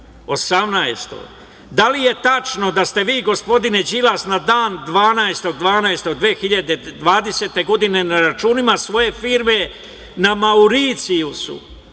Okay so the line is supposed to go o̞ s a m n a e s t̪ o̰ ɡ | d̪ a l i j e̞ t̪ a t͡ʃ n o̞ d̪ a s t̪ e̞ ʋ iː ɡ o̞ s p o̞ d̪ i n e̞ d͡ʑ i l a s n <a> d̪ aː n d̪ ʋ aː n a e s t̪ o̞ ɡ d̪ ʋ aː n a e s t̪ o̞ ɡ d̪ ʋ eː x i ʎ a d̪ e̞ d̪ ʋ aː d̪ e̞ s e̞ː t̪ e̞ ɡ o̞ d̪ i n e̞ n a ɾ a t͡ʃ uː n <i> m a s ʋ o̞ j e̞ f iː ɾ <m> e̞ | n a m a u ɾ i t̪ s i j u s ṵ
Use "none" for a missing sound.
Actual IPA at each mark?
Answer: a, i, m

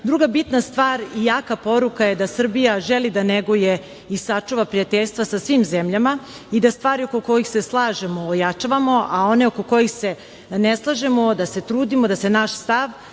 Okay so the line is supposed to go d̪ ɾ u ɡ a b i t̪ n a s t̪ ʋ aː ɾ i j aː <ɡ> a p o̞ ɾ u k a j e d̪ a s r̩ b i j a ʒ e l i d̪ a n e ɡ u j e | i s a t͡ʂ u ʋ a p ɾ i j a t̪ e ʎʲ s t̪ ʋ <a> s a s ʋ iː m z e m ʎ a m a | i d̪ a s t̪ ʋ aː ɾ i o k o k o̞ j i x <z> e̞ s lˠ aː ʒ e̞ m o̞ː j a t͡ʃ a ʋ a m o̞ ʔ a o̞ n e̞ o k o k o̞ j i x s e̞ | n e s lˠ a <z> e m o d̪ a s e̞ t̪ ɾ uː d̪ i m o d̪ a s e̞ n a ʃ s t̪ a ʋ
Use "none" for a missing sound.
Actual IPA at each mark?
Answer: k, a, s, ʒ

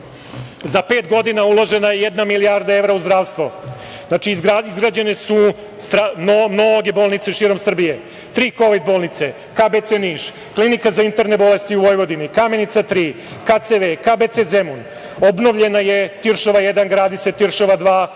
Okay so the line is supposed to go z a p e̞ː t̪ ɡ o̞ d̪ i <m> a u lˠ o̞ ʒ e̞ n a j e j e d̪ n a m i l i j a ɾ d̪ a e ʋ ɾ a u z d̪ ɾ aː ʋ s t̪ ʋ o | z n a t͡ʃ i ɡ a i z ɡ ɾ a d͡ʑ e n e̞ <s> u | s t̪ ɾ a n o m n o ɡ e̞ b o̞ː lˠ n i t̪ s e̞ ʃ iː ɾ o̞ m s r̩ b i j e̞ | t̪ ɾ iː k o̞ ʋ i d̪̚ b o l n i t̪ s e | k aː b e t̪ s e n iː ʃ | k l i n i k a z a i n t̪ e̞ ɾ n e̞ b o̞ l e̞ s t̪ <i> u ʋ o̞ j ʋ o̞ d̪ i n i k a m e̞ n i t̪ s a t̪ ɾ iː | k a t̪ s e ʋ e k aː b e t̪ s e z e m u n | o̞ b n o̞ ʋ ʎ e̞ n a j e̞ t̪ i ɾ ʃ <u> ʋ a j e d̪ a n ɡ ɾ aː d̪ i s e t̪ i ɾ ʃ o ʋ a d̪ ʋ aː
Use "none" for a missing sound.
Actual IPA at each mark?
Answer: n, s, i, o

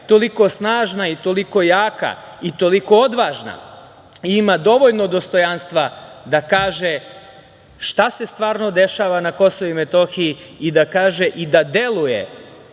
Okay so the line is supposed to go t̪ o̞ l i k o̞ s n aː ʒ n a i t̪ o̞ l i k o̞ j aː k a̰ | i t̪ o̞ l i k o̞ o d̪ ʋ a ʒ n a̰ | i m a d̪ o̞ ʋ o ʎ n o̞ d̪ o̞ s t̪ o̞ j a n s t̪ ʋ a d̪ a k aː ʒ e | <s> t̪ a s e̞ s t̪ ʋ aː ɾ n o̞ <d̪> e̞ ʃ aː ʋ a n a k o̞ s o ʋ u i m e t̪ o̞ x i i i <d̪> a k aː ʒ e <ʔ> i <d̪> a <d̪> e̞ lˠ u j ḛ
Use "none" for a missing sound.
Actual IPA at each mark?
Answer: ʃ, d̪, d̪, ʔ, d̪, d̪

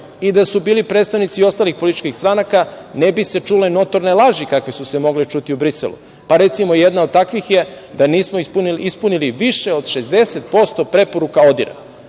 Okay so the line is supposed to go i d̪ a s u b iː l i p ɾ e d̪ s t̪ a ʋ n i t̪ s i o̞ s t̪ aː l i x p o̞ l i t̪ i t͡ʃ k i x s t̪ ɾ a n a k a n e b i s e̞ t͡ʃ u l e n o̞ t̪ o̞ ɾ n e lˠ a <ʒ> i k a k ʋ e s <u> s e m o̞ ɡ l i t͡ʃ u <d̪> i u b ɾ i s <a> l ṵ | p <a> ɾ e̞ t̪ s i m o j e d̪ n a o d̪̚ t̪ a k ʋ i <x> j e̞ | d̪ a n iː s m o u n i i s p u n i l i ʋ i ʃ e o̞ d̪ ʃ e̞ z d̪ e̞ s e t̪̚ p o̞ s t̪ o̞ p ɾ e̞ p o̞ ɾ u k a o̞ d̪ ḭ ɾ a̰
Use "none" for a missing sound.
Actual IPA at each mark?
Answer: ʒ, u, t̪, e, a, x

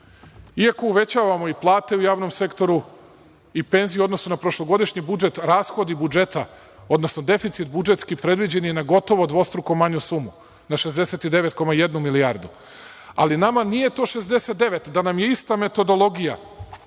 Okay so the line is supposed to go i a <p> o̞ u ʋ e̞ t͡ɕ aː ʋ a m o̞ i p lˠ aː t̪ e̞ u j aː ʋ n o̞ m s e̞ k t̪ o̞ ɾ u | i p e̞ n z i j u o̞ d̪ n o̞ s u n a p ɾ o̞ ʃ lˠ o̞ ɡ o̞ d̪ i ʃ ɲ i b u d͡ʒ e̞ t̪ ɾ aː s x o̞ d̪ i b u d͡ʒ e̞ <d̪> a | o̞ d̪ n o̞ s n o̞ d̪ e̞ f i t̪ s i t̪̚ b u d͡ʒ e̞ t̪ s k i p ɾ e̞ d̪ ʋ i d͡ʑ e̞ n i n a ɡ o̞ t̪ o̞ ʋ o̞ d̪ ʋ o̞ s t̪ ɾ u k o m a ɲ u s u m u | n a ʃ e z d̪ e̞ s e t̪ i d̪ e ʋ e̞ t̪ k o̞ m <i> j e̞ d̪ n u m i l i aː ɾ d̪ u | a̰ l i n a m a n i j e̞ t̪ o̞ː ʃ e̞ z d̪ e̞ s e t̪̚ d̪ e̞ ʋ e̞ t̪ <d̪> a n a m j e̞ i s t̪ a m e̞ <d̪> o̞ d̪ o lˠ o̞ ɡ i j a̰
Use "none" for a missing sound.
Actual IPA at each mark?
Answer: k, t̪, a, d̪, t̪

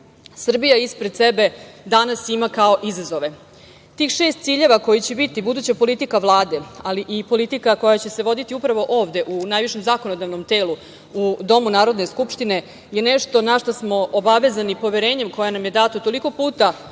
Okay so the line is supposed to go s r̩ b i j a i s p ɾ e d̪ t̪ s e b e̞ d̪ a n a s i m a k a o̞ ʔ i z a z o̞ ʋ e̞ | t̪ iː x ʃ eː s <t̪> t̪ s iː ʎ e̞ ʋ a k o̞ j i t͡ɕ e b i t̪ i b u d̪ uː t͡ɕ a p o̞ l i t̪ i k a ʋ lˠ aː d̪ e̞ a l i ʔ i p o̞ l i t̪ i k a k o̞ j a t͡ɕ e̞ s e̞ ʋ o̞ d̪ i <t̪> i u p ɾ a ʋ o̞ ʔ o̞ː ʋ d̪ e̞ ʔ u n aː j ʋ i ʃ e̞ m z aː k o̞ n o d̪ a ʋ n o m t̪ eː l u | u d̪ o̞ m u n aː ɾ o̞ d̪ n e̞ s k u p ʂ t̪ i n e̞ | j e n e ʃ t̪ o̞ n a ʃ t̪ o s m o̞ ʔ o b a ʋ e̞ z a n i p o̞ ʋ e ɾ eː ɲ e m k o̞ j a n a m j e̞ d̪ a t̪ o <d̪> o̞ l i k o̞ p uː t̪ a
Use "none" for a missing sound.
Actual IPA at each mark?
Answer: t̪, t̪, t̪

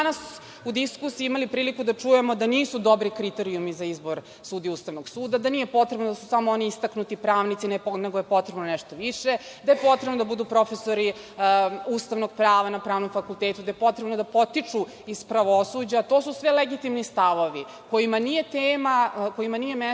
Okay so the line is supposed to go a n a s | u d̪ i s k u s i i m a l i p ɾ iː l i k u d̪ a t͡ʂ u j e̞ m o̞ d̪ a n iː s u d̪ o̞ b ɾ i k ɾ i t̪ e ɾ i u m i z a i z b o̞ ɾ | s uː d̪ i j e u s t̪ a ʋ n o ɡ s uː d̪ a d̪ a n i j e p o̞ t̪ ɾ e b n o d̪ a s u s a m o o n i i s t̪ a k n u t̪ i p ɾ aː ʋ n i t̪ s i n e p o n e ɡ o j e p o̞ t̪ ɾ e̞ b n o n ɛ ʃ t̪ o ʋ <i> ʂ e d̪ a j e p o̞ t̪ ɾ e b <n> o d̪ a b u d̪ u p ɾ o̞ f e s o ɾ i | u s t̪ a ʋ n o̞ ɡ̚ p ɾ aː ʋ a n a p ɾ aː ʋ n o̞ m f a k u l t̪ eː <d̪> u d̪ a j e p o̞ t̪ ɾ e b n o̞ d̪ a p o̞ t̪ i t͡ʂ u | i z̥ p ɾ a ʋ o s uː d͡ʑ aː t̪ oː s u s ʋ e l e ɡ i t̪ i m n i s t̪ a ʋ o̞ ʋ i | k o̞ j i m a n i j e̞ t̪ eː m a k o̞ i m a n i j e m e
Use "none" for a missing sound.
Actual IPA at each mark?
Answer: i, n, t̪

